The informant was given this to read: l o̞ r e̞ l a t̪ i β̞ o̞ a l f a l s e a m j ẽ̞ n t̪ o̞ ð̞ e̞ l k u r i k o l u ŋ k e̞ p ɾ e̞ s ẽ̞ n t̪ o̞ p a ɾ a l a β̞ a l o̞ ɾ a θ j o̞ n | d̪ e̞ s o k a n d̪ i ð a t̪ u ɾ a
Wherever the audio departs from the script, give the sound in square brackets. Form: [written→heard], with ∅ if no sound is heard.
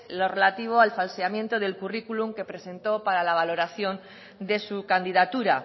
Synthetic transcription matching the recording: l o̞ r e̞ l a t̪ i β̞ o̞ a l f a l s e a m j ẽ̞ n t̪ o̞ ð̞ e̞ l k u r i k [o→u] l u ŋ k e̞ p ɾ e̞ s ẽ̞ n t̪ o̞ p a ɾ a l a β̞ a l o̞ ɾ a θ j o̞ n | d̪ e̞ s [o→u] k a n d̪ i ð a t̪ u ɾ a